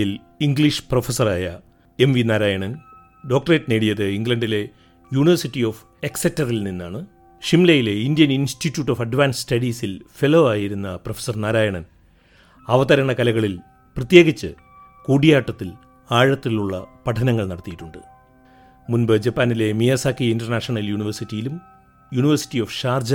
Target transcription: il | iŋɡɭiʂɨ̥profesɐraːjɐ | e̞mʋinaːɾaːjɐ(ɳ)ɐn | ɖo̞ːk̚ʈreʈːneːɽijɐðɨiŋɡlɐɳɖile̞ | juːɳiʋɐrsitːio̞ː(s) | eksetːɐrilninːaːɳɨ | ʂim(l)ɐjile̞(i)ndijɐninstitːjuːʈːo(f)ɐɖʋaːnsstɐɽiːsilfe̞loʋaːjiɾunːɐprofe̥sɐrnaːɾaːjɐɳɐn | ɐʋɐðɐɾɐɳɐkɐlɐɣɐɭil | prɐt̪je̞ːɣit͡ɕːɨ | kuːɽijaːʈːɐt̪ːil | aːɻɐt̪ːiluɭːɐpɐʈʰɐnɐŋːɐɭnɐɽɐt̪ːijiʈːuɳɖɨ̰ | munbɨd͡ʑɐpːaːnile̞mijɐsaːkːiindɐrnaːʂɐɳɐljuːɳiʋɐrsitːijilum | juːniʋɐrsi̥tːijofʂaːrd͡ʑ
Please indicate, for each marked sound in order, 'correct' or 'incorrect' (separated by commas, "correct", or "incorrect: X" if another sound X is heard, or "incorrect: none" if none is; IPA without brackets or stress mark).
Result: correct, incorrect: f, correct, correct, correct